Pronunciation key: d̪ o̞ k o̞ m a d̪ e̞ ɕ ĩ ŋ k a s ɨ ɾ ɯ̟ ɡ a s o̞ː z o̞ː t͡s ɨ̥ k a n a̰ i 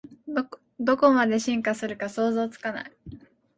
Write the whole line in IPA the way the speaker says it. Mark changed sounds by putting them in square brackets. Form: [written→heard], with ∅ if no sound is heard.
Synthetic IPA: d̪ o̞ k o̞ m a d̪ e̞ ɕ ĩ ŋ k a s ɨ ɾ ɯ̟ [ɡ→k] a s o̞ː z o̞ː t͡s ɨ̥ k a n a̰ i